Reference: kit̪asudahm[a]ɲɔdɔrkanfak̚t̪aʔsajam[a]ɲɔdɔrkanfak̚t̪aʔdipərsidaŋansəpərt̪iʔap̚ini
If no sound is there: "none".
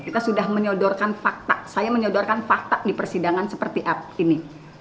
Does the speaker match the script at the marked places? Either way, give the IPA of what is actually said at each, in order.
ə, ə

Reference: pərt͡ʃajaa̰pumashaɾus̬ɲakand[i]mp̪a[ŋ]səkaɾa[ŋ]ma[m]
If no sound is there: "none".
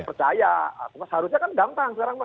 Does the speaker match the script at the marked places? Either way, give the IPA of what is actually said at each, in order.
a, ŋ, ŋ, none

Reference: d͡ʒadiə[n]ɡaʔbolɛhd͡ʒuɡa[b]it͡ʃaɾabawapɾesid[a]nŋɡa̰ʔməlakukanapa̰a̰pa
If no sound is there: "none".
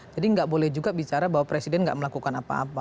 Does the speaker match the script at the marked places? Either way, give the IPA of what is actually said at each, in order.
ŋ, b, ɛ

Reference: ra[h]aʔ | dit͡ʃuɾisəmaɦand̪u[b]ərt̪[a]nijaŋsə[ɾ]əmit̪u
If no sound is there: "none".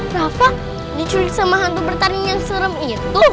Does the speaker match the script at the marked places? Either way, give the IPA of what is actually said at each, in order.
f, b, a, ɾ

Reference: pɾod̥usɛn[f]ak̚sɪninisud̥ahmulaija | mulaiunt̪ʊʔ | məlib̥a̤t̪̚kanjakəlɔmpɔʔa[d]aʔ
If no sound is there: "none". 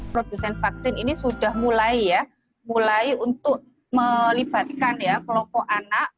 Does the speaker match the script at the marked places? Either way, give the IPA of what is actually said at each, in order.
f, n

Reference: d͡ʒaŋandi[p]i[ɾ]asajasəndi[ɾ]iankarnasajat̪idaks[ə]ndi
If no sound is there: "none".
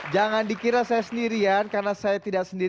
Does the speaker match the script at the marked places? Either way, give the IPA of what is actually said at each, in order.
k, ɾ, ɾ, ə

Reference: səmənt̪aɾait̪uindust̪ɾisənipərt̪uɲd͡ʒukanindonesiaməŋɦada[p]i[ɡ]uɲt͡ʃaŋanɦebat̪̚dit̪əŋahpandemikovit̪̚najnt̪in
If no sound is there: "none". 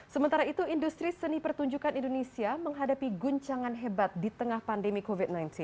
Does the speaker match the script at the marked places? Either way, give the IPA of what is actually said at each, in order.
p, ɡ

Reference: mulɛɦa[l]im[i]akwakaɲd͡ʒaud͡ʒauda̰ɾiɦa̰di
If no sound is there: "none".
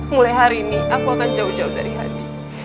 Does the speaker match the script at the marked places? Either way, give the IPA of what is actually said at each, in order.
ɾ, i

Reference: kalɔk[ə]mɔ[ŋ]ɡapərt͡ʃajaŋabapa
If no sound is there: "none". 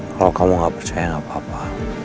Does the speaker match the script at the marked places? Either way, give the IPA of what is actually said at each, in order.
a, ŋ

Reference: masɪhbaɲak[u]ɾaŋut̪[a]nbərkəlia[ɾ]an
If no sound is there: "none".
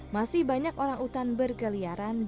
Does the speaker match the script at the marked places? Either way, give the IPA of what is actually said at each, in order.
o, a, ɾ

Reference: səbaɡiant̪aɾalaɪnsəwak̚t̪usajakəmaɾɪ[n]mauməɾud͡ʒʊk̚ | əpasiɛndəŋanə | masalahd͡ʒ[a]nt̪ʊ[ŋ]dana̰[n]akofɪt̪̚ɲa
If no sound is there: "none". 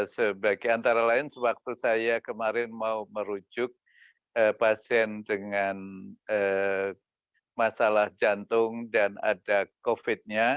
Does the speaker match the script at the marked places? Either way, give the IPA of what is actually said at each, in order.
n, a, ŋ, d

